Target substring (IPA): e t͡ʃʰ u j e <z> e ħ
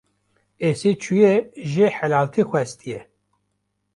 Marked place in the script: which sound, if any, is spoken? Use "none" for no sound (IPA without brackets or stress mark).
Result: ʒ